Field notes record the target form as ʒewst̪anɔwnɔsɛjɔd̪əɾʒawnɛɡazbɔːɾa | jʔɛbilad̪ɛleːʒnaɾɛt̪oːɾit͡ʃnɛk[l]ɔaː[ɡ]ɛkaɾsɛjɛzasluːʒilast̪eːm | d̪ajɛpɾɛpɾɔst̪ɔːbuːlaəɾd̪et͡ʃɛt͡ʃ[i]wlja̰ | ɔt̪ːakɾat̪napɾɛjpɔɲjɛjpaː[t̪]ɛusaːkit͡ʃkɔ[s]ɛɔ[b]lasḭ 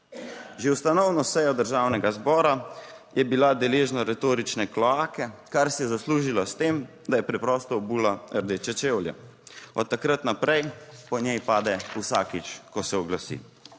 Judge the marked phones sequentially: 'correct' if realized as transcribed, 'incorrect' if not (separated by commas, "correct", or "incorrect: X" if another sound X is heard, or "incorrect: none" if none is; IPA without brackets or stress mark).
correct, incorrect: k, incorrect: e, incorrect: d̪, correct, incorrect: ɡ